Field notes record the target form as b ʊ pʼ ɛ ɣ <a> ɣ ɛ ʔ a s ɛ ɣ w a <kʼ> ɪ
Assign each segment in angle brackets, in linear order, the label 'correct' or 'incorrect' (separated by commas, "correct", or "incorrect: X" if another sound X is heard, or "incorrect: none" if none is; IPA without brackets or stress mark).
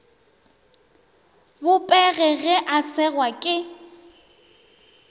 incorrect: ɛ, correct